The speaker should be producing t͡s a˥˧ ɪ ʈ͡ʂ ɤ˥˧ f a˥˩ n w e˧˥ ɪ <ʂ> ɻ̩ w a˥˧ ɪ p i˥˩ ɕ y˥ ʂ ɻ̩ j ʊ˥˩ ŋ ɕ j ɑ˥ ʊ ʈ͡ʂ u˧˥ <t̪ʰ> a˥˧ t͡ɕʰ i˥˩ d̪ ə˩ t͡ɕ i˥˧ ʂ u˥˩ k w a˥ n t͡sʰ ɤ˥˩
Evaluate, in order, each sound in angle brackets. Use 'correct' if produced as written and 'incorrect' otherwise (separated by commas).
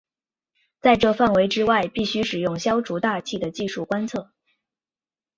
incorrect, incorrect